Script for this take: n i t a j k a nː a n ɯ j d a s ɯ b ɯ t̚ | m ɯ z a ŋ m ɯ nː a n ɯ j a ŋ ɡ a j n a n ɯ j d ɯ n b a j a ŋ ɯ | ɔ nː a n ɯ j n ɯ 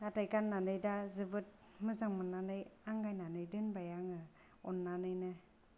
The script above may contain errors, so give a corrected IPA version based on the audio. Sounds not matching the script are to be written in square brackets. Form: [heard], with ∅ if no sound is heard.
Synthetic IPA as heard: n [a] t a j k a nː a n ɯ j d a [z] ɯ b ɯ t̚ | m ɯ z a ŋ m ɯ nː a n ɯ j a ŋ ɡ a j n a n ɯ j d ɯ n b a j a ŋ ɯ | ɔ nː a n ɯ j n ɯ